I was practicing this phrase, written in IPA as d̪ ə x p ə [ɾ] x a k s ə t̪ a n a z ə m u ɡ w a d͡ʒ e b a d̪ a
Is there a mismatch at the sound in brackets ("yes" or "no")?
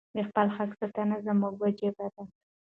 yes